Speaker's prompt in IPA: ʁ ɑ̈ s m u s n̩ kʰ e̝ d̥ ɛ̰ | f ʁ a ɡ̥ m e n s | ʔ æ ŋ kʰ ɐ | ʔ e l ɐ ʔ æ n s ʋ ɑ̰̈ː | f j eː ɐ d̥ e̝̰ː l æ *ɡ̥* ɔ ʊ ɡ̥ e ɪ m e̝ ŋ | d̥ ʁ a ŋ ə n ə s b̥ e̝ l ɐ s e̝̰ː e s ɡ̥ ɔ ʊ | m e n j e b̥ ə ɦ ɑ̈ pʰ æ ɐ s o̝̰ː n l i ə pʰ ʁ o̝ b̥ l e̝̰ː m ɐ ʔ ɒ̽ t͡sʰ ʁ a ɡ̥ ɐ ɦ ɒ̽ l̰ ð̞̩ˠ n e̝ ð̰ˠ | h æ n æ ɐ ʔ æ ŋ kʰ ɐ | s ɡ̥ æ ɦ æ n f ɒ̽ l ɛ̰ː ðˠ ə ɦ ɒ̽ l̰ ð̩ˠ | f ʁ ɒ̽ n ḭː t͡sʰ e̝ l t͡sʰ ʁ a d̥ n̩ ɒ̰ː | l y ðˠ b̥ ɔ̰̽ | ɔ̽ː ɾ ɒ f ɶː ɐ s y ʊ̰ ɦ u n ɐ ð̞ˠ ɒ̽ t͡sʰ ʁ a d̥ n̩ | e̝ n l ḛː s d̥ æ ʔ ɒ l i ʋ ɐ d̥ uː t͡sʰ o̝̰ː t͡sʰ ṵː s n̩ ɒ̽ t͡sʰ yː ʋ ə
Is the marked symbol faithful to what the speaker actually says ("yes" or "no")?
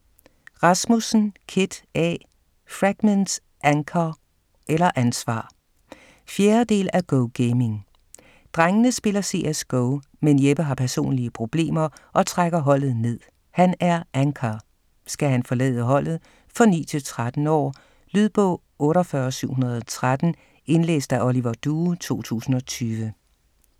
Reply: yes